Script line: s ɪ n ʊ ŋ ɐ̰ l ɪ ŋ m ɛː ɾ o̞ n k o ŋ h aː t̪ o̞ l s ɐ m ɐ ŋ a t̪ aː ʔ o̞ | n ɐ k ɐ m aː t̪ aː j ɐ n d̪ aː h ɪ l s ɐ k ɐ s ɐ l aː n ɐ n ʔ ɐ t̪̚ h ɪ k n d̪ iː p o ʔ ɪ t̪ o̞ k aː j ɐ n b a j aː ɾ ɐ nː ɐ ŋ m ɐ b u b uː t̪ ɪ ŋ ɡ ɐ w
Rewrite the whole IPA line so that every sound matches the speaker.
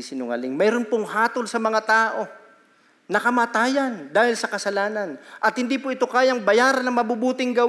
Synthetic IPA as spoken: s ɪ n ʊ ŋ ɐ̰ l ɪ ŋ m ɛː ɾ o̞ n p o ŋ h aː t̪ o̞ l s ɐ m ɐ ŋ a t̪ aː ʔ o̞ | n ɐ k ɐ m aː t̪ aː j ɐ n d̪ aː h ɪ l s ɐ k ɐ s ɐ l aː n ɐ n ʔ ɐ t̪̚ h ɪ n d̪ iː p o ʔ ɪ t̪ o̞ k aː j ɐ ŋ b ɐ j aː ɾ ɐ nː ɐ ŋ m ɐ b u b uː t̪ ɪ ŋ ɡ ɐ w